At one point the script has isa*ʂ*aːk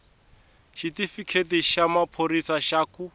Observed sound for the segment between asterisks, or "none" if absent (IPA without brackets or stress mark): ʃ